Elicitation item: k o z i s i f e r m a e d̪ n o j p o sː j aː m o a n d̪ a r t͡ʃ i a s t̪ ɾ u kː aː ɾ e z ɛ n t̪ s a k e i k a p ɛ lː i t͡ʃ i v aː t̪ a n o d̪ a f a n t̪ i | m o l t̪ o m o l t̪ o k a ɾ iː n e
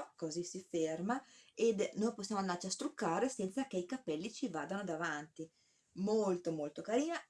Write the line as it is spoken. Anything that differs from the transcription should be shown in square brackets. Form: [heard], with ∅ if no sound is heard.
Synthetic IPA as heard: k o z i s i f e r m a e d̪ n o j p o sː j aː m o a n d̪ a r t͡ʃ i a s t̪ ɾ u kː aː ɾ e [s] ɛ n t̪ s a k e i k a p ɛ lː i t͡ʃ i v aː [d̪] a n o d̪ a [v] a n t̪ i | m o l t̪ o m o l t̪ o k a ɾ iː n [a]